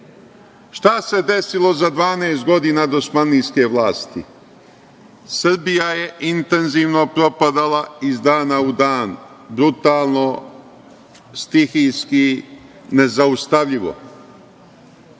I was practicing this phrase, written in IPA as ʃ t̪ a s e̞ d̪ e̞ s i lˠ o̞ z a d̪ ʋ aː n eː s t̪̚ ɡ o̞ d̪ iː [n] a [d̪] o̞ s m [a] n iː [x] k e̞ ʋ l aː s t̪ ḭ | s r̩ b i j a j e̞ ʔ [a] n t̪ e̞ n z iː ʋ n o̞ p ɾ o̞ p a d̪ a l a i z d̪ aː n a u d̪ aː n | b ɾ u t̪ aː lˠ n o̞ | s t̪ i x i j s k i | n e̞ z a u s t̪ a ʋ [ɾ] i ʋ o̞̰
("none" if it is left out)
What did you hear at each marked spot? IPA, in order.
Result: n, d̪, a, s, i, ʎ

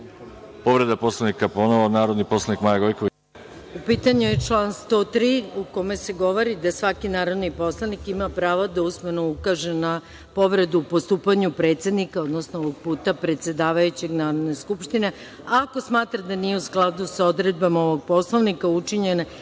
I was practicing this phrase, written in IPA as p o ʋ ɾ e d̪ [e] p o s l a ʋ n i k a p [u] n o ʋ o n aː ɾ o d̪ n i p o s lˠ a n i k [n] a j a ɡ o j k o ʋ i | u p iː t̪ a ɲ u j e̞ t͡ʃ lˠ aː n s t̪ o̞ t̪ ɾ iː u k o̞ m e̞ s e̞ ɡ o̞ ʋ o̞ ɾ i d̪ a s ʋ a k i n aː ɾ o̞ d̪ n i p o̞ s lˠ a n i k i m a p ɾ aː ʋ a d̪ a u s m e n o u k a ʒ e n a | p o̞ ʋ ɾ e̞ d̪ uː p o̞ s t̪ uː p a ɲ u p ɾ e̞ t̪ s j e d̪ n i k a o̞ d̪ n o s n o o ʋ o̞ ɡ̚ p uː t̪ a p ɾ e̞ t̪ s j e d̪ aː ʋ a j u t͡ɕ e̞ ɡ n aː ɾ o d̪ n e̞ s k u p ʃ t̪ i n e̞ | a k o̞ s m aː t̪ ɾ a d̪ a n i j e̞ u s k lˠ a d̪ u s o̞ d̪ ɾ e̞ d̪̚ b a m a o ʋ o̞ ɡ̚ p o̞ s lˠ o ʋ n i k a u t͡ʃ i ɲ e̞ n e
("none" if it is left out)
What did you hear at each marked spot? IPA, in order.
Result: a, o, m

